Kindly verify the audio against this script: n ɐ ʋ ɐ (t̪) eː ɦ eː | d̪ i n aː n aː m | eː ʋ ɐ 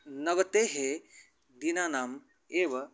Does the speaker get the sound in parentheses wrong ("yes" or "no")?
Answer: no